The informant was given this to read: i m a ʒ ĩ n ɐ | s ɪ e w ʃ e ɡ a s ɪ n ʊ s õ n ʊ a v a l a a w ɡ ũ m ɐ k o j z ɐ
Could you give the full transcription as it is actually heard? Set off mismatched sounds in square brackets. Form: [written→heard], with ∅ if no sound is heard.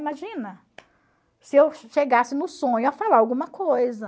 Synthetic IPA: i m a ʒ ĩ n ɐ | s ɪ e w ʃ e ɡ a s ɪ n ʊ s õ [n→ɲ] ʊ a [v→f] a l a a w ɡ ũ m ɐ k o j z ɐ